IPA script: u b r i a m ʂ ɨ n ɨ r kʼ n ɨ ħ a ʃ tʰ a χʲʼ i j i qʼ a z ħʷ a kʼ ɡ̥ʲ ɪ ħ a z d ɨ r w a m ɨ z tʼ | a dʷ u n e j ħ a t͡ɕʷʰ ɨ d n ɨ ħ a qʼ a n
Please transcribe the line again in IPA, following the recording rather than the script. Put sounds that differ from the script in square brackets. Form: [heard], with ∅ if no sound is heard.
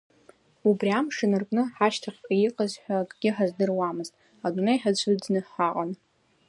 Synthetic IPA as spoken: u b r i a m ʂ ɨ n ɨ r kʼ n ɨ ħ a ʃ tʰ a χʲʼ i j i qʼ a z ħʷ a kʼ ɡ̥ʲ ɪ ħ a z d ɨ r w a m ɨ z tʼ | a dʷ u n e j ħ a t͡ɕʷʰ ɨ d n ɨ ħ a qʼ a n